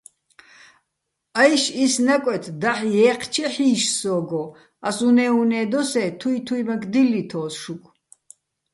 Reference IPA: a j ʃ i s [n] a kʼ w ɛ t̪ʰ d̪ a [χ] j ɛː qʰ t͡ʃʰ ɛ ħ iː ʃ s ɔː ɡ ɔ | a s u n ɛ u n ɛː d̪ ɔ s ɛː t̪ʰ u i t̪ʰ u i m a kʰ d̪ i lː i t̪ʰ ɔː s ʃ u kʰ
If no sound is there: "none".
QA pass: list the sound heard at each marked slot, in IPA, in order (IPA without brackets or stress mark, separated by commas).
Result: n, ħ